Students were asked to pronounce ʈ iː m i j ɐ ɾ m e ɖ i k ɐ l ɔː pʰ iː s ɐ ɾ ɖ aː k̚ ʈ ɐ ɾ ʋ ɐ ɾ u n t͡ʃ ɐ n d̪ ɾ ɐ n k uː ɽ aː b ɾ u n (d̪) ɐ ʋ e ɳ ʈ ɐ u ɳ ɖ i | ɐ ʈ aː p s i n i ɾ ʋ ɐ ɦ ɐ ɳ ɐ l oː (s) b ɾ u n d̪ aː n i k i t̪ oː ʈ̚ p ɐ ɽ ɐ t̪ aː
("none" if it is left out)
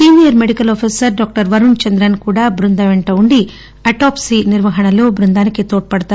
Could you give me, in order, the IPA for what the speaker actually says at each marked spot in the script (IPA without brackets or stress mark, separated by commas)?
d̪, none